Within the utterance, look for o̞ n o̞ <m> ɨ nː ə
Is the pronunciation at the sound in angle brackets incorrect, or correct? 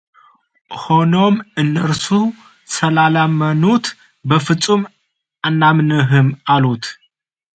correct